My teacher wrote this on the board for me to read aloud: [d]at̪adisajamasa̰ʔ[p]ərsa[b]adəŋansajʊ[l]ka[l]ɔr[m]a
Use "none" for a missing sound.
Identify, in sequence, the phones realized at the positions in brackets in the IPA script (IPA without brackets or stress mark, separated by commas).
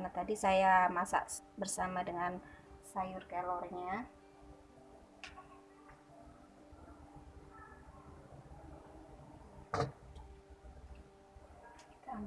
n, b, m, r, l, ɲ